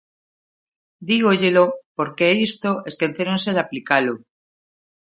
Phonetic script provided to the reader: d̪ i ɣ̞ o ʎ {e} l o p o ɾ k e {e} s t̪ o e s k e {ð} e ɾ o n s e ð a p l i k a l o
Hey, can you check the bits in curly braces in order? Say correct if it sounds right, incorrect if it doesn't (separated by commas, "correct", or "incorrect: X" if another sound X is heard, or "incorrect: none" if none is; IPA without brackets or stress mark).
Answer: correct, incorrect: i, incorrect: θ